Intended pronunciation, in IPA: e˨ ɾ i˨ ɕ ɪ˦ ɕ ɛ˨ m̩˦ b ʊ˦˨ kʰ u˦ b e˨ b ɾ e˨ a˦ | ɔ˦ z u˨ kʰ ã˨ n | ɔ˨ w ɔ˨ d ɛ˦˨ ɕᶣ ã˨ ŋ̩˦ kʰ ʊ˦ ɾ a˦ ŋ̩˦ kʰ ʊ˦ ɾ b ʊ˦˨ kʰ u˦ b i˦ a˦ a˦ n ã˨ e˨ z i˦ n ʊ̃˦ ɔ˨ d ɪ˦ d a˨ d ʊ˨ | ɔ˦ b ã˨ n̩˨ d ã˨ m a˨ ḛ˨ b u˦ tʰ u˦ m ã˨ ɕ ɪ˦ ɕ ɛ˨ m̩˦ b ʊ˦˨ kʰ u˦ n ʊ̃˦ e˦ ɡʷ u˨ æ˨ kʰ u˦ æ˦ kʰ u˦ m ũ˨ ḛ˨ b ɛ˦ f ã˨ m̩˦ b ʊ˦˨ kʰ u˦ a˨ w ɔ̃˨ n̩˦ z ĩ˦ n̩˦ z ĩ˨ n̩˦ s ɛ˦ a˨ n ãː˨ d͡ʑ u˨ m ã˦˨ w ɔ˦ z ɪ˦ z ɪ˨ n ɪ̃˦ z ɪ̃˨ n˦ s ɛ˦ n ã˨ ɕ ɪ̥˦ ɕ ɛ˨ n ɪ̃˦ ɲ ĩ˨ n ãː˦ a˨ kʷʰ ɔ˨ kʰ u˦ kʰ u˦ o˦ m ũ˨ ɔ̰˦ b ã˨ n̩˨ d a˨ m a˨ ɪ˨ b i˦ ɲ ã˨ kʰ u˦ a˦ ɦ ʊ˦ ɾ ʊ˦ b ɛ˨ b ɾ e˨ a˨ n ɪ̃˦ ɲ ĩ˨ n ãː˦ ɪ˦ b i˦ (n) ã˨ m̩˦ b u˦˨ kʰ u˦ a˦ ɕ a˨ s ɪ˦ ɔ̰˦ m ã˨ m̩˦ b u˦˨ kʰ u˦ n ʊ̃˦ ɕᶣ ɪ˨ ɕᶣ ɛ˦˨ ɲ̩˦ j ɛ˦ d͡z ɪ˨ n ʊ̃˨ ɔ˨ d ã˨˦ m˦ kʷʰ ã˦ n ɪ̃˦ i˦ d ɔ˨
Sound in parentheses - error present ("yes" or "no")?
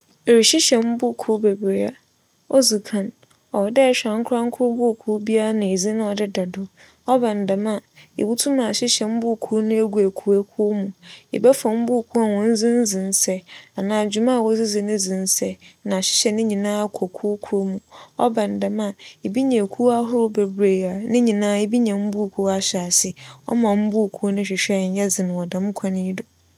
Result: yes